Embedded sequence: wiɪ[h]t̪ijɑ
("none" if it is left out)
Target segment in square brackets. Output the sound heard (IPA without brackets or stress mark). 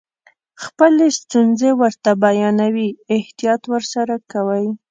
h